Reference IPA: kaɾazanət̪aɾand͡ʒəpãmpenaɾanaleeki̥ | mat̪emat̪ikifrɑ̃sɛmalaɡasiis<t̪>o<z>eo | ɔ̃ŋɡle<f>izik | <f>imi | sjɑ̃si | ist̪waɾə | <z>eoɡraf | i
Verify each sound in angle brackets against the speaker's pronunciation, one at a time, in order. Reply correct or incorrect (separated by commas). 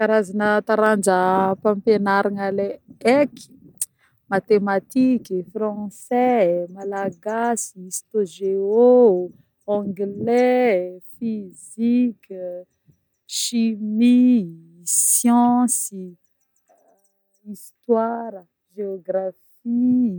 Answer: correct, incorrect, correct, incorrect, incorrect